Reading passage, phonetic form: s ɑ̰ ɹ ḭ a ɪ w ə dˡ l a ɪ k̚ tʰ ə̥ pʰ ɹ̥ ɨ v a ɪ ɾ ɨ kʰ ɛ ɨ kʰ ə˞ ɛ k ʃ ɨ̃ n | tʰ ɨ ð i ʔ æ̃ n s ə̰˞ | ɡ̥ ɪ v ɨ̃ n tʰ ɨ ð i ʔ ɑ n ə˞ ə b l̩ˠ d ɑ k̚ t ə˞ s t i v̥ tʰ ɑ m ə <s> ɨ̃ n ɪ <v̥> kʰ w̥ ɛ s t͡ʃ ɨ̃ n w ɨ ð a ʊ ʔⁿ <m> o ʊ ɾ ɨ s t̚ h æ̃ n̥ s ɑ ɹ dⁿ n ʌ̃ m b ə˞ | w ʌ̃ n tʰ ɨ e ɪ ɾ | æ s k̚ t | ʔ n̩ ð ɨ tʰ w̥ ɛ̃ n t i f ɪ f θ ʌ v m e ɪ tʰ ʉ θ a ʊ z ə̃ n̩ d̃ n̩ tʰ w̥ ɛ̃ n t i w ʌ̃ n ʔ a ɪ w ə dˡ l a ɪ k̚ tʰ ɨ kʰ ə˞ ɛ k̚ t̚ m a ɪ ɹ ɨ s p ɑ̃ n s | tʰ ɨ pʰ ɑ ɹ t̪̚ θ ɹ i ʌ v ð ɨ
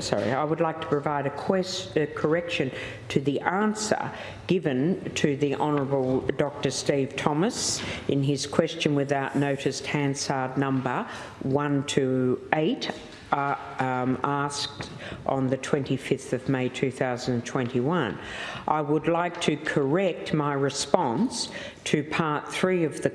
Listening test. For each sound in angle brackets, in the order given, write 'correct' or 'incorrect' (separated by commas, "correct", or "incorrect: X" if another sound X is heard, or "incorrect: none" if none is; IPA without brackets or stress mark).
correct, incorrect: z̥, incorrect: n